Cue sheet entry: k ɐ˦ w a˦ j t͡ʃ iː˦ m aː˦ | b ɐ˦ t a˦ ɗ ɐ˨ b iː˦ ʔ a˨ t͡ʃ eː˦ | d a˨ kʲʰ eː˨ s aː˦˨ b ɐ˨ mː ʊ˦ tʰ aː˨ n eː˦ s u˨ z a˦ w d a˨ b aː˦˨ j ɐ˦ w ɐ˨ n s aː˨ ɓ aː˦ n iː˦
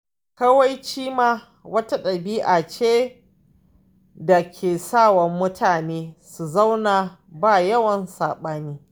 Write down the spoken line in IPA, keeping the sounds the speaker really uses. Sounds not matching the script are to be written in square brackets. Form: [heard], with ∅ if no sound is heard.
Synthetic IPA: k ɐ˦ w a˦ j t͡ʃ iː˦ m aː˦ | [w] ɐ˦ t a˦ ɗ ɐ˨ b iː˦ ʔ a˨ t͡ʃ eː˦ | d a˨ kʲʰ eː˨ s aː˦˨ [w] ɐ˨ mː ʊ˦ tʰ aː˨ n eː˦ s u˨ z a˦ w [n] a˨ b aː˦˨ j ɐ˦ w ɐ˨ n s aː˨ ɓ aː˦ n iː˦

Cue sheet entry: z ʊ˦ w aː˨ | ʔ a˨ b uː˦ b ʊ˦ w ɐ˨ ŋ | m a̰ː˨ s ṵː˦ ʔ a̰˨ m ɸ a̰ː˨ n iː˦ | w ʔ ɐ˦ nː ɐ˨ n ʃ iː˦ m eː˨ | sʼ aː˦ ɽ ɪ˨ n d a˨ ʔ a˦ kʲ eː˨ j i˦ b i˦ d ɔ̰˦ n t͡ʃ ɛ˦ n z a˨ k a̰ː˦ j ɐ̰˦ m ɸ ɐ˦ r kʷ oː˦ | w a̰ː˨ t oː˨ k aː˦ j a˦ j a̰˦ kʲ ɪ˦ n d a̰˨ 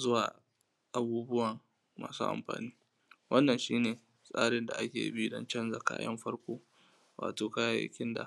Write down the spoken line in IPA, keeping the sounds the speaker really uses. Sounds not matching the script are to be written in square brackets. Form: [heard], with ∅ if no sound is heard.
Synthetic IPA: z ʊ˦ w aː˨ | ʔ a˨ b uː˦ b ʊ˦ w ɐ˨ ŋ | m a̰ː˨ s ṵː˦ ʔ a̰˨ m ɸ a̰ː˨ n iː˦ | w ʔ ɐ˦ nː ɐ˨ n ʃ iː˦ [n] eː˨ | sʼ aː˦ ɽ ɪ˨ n d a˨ ʔ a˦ kʲ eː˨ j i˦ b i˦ d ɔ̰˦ n t͡ʃ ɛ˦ n z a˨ k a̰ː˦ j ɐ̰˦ m ɸ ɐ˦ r kʷ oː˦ | w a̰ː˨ t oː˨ k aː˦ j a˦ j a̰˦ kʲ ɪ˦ n d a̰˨

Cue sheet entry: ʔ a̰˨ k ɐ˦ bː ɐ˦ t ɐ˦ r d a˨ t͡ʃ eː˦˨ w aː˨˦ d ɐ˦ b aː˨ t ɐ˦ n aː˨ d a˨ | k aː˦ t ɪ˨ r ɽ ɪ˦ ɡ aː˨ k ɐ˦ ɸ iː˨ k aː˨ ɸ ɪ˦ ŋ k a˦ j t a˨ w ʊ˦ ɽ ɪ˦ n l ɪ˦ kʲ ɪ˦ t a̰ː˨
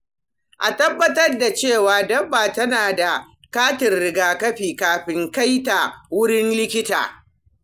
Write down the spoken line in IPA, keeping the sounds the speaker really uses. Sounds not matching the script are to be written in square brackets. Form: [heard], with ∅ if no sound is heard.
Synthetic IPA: ʔ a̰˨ [t] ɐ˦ bː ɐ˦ t ɐ˦ r d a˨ t͡ʃ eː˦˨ w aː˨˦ d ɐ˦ b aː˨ t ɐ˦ n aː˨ d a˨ | k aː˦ t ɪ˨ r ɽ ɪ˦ ɡ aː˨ k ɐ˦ ɸ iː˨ k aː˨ ɸ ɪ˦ ŋ k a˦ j t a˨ w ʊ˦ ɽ ɪ˦ n l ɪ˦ kʲ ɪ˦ t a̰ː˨

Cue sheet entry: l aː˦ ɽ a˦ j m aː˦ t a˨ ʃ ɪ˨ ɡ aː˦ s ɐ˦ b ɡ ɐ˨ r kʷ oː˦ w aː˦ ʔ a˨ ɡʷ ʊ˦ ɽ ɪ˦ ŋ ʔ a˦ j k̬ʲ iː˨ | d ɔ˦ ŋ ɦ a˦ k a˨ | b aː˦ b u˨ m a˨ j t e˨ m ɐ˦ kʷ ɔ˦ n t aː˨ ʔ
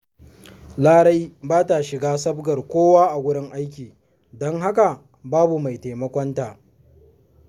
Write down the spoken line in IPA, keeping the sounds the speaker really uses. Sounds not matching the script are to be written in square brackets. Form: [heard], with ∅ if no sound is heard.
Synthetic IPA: l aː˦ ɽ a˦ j [b] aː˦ t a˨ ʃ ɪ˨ ɡ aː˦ s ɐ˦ b ɡ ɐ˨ r kʷ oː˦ w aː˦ ʔ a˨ ɡʷ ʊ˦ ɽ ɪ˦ ŋ ʔ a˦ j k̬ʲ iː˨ | d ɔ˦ ŋ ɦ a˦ k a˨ | b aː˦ b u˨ m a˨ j t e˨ m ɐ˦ kʷ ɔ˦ n t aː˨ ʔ

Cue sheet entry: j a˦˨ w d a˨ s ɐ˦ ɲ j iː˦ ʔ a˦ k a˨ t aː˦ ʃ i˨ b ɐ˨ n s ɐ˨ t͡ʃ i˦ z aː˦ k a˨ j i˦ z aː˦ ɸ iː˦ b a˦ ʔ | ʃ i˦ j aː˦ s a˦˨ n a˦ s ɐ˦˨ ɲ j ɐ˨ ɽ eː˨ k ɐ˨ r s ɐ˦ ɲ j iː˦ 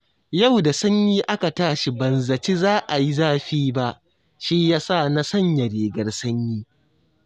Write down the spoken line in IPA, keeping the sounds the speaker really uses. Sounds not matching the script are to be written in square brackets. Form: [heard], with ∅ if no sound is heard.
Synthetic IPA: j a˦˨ w d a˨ s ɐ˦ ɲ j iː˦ ʔ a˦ k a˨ t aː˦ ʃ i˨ b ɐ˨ n [z] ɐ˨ t͡ʃ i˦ z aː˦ [ʔ] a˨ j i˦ z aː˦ ɸ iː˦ b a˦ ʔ | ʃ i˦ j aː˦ s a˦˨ n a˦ s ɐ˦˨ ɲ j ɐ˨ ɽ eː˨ [ɡ] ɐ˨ r s ɐ˦ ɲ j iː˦

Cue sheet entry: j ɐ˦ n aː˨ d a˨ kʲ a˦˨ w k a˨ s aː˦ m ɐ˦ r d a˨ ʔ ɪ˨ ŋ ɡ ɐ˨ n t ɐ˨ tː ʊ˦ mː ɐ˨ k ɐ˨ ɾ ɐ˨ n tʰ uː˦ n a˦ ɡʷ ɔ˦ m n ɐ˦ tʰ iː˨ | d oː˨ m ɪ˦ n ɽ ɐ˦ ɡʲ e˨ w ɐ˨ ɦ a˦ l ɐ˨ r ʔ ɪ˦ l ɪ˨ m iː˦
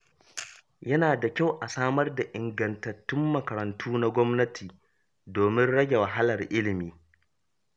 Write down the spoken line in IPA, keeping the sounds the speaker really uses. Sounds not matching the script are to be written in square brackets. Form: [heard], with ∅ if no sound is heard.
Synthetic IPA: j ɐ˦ n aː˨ d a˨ kʲ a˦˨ w [ʔ] a˨ s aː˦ m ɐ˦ r d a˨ ʔ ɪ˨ ŋ ɡ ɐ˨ n t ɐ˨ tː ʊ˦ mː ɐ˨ k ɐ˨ ɾ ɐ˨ n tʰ uː˦ n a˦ ɡʷ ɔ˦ m n ɐ˦ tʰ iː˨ | d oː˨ m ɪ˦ n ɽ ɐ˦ ɡʲ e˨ w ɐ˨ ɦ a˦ l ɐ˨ r ʔ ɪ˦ l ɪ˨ m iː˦

